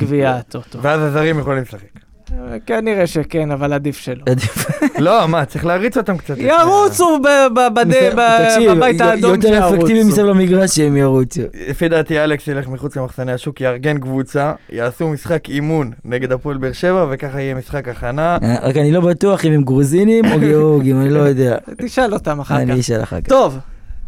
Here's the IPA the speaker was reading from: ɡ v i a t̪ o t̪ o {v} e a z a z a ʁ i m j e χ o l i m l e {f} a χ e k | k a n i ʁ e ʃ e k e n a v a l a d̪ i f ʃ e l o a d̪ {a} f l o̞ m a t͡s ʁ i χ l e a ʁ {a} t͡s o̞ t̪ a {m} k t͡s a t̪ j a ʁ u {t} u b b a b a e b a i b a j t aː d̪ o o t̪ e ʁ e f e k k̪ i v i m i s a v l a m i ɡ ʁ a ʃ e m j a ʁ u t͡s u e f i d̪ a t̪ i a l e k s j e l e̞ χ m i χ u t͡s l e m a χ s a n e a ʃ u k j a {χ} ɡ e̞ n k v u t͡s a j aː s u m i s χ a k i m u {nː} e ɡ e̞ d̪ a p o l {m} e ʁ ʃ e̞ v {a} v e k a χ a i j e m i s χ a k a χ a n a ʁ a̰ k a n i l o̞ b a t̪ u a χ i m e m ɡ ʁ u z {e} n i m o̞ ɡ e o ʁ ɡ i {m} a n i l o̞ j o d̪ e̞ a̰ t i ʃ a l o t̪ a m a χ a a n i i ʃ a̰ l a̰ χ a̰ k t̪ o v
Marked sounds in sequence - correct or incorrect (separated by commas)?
correct, incorrect, incorrect, incorrect, correct, incorrect, incorrect, correct, incorrect, correct, incorrect, correct